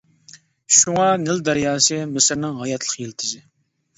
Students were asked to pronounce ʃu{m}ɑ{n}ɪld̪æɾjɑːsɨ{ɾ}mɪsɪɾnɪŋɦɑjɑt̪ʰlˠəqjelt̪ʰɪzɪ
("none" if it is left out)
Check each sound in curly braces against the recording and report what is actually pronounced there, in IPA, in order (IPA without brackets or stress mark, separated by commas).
ŋ, n, none